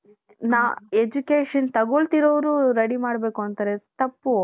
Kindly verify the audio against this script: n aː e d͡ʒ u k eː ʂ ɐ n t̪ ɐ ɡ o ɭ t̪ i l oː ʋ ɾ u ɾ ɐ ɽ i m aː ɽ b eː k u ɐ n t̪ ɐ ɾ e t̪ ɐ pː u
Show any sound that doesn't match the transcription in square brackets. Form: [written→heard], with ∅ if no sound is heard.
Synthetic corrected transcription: n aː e d͡ʒ u k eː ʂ ɐ n t̪ ɐ ɡ o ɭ t̪ i [l→ɾ] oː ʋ ɾ u ɾ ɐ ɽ i m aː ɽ b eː k u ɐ n t̪ ɐ ɾ e t̪ ɐ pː u